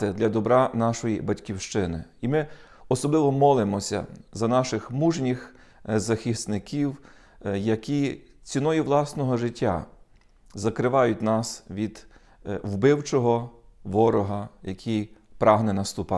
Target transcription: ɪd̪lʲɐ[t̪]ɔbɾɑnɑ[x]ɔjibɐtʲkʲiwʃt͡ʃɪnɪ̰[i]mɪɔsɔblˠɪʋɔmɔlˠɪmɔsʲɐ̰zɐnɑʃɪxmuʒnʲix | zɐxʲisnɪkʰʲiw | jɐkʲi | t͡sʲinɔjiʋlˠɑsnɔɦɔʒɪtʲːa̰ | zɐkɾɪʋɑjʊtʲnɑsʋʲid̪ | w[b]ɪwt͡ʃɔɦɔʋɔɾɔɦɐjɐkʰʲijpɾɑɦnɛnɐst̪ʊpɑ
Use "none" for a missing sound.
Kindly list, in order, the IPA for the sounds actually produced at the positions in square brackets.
d̪, ʃ, i, b

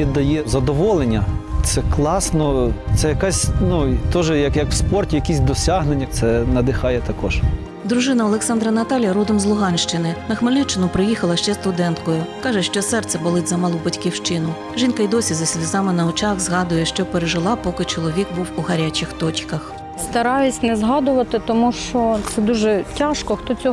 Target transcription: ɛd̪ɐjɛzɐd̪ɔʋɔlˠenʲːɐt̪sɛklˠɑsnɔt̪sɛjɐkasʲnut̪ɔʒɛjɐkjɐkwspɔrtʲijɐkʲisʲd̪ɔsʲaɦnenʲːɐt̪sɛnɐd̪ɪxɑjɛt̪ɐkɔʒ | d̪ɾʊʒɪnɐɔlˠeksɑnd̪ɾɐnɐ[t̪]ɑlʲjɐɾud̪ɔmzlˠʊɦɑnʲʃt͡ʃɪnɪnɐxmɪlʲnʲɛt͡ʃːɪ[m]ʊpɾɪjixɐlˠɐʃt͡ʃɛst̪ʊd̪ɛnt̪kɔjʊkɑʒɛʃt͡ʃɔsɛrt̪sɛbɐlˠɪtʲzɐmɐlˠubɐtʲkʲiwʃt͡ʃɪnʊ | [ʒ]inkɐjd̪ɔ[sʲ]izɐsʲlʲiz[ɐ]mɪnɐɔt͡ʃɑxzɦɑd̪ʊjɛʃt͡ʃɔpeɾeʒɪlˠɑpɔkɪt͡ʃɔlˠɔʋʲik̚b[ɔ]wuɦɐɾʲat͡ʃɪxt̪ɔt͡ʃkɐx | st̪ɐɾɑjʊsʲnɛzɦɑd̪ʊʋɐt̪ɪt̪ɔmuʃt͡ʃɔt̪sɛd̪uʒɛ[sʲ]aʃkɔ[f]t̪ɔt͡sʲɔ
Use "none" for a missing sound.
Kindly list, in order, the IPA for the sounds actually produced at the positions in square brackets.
t̪, n, ʒ, sʲ, ɑ, u, tʲ, x

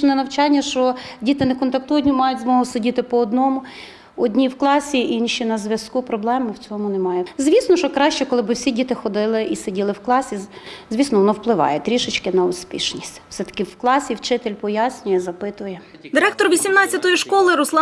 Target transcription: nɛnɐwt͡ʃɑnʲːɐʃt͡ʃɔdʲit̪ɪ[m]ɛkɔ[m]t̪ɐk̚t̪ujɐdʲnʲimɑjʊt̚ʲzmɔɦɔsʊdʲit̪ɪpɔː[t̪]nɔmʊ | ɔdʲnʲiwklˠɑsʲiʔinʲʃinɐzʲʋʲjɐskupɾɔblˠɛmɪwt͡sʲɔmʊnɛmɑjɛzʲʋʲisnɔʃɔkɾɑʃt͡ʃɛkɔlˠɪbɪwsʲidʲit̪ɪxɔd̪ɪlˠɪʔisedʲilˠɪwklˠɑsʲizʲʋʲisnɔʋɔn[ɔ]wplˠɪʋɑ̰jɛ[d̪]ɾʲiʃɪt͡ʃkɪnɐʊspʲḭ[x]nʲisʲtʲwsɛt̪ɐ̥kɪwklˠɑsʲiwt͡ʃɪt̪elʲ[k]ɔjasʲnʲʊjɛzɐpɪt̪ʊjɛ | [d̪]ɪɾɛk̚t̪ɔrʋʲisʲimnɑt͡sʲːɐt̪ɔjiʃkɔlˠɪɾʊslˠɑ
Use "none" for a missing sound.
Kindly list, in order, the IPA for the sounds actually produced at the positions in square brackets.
n, n, d̪, ɔ, t̪, ʃ, p, d̪

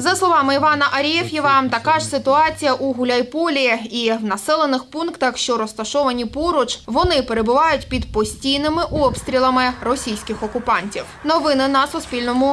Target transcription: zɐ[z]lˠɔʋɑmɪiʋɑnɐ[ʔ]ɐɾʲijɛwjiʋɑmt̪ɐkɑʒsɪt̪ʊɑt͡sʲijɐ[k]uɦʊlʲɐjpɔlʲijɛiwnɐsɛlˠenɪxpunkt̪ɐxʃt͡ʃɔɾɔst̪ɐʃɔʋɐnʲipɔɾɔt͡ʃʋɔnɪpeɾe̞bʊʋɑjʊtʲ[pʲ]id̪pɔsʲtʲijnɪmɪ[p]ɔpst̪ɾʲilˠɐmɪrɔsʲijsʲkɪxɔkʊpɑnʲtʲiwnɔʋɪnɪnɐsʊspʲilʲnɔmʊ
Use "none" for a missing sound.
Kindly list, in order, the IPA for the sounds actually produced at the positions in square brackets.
s, ʔ, ʔ, pʲ, ʔ

